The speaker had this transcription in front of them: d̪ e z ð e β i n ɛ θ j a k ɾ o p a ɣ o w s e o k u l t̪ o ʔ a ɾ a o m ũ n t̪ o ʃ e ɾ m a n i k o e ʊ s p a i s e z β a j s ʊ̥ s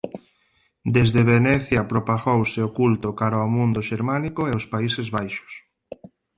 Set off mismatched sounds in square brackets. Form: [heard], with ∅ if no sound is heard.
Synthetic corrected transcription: d̪ e z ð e β [e] n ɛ θ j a [p] ɾ o p a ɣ o w s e o k u l t̪ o [k] a ɾ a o m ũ n [d̪] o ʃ e ɾ m a n i k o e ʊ s p a i s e z β a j [ʃ] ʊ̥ s